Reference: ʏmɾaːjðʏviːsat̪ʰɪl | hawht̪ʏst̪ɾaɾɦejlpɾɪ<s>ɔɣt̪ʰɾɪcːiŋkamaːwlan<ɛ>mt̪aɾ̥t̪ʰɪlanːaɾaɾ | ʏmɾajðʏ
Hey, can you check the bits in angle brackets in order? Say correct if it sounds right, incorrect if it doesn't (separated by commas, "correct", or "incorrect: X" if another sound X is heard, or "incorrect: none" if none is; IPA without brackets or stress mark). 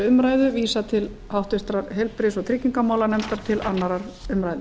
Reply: correct, correct